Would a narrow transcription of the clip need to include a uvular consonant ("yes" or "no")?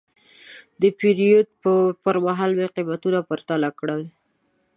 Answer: yes